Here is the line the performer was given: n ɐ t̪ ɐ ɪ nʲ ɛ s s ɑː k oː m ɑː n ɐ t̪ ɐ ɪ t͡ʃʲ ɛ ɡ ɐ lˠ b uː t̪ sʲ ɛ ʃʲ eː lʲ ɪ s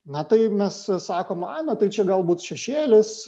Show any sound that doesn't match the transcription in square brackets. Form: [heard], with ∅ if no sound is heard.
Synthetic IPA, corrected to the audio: n ɐ t̪ ɐ ɪ [mʲ] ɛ s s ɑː k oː m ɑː n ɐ t̪ ɐ ɪ t͡ʃʲ ɛ ɡ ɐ lˠ b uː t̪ [ʃʲ] ɛ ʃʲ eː lʲ ɪ s